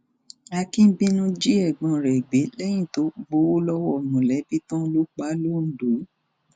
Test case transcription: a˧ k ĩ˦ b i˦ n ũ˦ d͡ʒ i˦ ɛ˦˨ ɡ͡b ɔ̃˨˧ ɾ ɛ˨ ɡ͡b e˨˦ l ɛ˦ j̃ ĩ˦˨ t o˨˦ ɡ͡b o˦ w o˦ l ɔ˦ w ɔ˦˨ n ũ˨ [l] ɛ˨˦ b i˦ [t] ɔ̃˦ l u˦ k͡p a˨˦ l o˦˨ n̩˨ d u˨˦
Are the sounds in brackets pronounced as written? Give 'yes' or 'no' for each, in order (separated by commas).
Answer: yes, yes